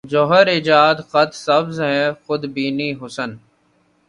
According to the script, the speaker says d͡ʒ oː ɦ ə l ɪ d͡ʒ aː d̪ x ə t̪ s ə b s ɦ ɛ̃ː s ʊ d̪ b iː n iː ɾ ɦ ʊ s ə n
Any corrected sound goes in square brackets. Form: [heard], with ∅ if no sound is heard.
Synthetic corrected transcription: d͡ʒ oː ɦ ə [ɾ] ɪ d͡ʒ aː d̪ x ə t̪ s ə b [z] ɦ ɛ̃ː [x] ʊ d̪ b iː n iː [∅] ɦ ʊ s ə n

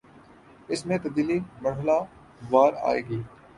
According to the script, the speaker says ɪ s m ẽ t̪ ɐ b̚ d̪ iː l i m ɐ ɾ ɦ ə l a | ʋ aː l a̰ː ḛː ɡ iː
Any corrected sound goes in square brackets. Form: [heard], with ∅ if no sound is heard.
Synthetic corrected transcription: ɪ s m ẽ t̪ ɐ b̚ d̪ iː l i m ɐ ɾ ɦ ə l a | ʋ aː [ɾ] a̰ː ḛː ɡ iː

